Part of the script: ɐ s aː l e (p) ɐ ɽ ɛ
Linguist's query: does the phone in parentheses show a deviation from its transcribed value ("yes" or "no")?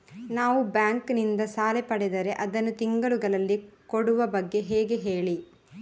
no